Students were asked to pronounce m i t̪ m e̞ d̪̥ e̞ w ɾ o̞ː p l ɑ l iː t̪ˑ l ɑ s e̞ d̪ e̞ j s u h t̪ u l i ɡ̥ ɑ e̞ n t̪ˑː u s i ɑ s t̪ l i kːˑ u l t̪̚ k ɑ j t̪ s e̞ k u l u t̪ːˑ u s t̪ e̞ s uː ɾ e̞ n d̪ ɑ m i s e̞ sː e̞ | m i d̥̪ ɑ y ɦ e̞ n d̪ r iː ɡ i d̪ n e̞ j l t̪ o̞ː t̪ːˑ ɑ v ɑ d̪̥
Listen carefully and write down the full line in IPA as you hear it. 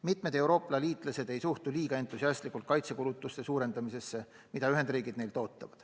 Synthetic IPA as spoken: m i t̪ m e̞ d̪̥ e̞ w ɾ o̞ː p l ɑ l iː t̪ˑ l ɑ s e̞ d̪ e̞ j s u h t̪ u l iː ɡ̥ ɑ e̞ n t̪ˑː u s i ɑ s t̪ l i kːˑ u l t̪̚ k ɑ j t̪ s e̞ k u l u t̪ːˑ u s t̪ e̞ s uː ɾ e̞ n d̪ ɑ m i s e̞ sː e̞ | m i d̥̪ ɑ y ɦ e̞ n d̪ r iː ɡ i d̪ n e̞ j l t̪ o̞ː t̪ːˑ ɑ v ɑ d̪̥